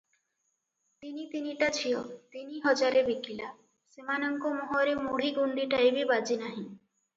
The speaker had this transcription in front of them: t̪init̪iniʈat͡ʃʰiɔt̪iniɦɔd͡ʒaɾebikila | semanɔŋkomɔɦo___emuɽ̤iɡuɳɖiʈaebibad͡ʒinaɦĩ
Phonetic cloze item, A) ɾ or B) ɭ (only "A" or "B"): A